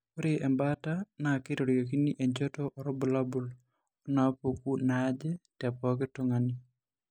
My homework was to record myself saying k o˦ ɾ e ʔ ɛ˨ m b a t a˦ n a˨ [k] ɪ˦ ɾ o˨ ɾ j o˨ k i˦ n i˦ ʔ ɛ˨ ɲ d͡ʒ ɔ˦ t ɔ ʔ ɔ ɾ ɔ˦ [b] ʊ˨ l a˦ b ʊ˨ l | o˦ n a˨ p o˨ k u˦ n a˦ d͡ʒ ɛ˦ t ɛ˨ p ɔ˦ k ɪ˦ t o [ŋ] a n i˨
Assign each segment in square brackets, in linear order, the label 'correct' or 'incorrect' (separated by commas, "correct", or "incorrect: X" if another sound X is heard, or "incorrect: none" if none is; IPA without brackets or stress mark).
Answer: correct, correct, correct